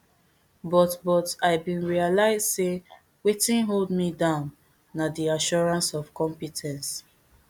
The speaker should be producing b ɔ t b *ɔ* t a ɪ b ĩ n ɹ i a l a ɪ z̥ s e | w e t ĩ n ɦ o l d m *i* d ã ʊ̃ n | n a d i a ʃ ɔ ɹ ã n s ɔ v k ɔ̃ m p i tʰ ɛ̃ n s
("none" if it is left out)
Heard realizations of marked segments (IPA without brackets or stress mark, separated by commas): ɔ, i